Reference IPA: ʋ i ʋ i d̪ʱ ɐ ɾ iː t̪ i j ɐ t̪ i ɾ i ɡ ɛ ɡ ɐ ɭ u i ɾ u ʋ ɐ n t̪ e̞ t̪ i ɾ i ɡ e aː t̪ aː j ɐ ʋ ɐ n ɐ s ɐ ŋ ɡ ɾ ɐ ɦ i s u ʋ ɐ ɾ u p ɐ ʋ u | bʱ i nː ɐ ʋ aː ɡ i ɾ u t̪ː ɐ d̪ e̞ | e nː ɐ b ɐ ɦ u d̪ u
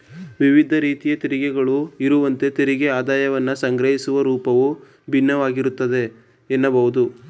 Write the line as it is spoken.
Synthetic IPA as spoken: ʋ i ʋ i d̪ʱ ɐ ɾ iː t̪ i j ɐ t̪ i ɾ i ɡ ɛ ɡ ɐ ɭ u i ɾ u ʋ ɐ n t̪ e̞ t̪ i ɾ i ɡ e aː d̪ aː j ɐ ʋ ɐ nː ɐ s ɐ ŋ ɡ ɾ ɐ ɦ i s u ʋ ɐ ɾ uː p ɐ ʋ u | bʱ i nː ɐ ʋ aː ɡ i ɾ u t̪ː ɐ d̪ e̞ | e nː ɐ b ɐ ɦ u d̪ u